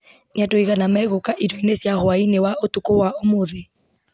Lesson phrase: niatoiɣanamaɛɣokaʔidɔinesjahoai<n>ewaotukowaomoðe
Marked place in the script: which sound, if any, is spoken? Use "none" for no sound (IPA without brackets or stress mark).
n